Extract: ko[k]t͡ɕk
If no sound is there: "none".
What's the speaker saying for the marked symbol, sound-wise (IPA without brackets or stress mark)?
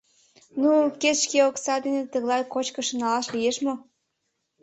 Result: none